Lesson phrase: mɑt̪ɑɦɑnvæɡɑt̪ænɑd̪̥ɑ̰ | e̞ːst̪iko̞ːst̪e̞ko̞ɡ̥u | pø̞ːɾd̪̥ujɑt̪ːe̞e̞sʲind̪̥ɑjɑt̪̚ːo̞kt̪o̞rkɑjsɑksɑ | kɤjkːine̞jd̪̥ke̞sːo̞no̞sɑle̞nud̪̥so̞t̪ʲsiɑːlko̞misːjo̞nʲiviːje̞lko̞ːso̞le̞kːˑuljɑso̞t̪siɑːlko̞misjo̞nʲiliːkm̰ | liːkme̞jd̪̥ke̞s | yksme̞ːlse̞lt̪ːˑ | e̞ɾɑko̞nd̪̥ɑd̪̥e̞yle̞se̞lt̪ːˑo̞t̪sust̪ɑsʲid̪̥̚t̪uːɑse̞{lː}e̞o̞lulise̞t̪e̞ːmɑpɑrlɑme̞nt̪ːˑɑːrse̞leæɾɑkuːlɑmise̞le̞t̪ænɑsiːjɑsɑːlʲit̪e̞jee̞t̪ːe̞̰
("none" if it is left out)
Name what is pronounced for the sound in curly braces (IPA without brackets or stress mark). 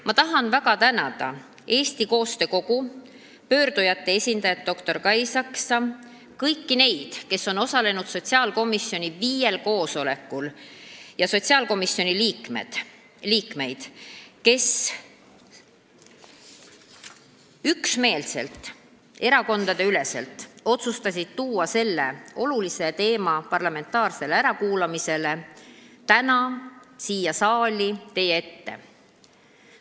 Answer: lː